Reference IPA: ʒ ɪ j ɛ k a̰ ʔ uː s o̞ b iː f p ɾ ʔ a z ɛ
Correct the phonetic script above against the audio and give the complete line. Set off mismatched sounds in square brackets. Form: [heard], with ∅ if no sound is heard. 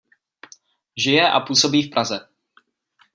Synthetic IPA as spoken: ʒ ɪ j ɛ [ʔ] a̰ [p] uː s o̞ b iː f p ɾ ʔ a z ɛ